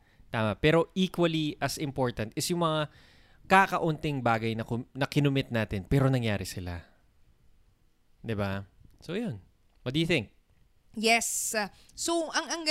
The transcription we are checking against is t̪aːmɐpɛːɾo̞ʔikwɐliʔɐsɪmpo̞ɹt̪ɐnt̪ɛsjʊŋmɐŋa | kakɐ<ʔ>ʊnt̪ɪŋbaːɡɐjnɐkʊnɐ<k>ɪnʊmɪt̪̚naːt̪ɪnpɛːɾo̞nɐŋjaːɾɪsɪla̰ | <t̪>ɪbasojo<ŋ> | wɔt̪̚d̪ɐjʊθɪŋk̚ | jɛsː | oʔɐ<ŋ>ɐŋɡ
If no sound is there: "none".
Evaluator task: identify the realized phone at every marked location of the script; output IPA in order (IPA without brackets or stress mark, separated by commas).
ʔ, k, d̪, n, ŋ